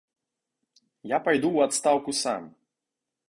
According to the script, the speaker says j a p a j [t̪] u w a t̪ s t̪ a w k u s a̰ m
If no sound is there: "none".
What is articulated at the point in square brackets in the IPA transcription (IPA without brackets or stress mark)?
d̪